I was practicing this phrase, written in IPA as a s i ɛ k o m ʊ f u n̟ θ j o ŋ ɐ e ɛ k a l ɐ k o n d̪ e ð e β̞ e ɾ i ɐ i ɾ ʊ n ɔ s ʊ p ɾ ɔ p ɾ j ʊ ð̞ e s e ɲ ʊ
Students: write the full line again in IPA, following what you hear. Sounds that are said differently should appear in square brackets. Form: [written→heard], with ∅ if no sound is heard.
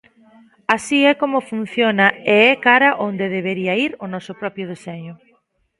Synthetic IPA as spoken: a s i ɛ k o m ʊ f u n̟ θ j o [ŋ→n] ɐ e ɛ k a [l→ɾ] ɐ [k→ʔ] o n d̪ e ð e β̞ e ɾ i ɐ i ɾ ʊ n ɔ s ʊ p ɾ ɔ p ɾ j ʊ ð̞ e s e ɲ ʊ